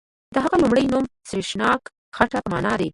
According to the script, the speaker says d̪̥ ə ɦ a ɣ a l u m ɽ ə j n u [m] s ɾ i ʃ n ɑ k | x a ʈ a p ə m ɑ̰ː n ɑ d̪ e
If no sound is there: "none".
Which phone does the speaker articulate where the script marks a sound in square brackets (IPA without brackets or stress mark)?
m